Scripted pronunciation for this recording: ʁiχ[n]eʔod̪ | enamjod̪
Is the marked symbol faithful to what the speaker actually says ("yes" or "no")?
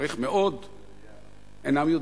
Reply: no